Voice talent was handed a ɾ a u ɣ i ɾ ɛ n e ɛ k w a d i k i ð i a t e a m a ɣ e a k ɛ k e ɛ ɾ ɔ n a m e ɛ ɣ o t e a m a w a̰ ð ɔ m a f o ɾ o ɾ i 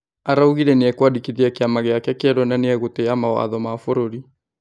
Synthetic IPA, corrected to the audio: a ɾ a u ɣ i ɾ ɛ n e ɛ k w a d i k i ð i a k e a m a ɣ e a k ɛ k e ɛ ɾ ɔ n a n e ɛ ɣ o t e a m a w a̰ ð ɔ m a f o ɾ o ɾ i